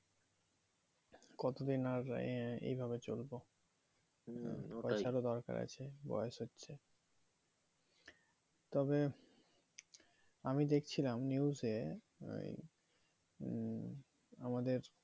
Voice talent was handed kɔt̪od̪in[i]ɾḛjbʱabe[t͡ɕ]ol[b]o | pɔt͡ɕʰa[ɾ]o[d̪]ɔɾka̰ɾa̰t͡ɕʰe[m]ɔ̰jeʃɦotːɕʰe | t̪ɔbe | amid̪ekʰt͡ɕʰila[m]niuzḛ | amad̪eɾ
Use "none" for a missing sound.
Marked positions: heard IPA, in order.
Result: a, t͡ɕ, b, ɾ, d̪, b, m

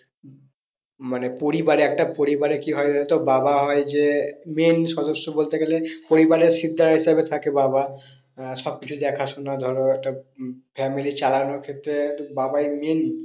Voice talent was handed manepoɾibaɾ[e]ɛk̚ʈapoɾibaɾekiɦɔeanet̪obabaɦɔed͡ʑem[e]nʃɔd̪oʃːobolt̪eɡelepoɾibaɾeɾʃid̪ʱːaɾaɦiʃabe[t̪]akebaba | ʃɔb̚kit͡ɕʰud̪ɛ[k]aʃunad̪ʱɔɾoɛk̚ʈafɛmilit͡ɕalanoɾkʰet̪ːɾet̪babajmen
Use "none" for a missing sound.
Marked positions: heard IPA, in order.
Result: e, e, t̪ʰ, kʰ

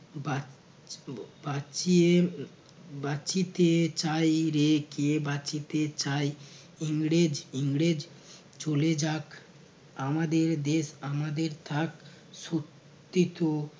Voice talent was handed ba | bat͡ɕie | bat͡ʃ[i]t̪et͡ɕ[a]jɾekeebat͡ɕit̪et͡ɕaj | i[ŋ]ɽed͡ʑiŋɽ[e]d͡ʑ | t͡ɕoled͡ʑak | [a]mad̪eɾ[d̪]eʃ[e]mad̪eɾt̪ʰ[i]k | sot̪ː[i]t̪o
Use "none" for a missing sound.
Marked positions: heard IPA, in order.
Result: i, a, ŋ, e, a, d̪, a, a, i

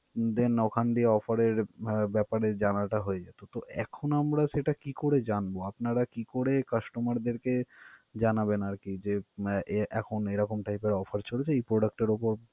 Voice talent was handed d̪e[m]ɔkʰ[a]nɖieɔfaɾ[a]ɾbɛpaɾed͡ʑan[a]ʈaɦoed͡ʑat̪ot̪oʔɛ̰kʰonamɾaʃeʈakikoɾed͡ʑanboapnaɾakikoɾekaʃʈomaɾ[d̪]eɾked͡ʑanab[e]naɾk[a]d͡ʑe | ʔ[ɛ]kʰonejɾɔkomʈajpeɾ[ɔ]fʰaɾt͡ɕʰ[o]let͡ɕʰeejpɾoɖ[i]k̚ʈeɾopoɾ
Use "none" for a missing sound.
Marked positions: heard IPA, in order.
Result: n, a, e, a, d̪, e, i, ɛ, ɔ, o, a

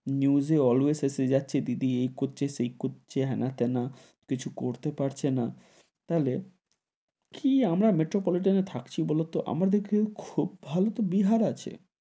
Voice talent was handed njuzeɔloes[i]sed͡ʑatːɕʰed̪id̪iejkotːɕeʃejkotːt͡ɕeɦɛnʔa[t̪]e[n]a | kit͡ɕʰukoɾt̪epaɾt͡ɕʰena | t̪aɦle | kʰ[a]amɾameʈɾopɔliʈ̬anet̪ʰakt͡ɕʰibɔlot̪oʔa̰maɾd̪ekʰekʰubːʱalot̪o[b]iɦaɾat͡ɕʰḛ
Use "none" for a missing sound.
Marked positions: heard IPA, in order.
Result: e, t̪, n, i, b

